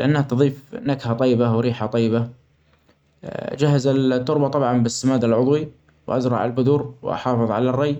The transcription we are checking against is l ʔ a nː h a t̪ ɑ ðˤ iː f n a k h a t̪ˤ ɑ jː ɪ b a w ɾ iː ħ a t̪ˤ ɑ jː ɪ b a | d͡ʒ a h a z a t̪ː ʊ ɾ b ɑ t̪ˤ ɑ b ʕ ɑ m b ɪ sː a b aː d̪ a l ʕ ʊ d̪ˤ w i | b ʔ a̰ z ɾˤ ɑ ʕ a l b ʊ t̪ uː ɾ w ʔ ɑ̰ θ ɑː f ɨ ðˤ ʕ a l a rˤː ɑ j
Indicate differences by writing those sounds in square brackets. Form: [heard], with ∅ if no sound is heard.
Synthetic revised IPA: l ʔ a nː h a t̪ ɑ ðˤ iː f n a k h a t̪ˤ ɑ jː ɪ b a w ɾ iː ħ a t̪ˤ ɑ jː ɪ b a | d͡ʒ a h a z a t̪ː ʊ ɾ b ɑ t̪ˤ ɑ b ʕ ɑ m b ɪ sː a [m] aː d̪ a l ʕ ʊ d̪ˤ w i | [w] ʔ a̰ z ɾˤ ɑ ʕ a l b ʊ [d̪] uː ɾ w ʔ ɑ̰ [ħ] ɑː f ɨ ðˤ ʕ a l a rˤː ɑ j